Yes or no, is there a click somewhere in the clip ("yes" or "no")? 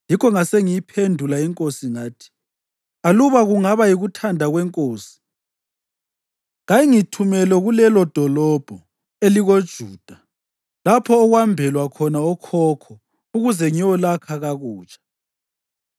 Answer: no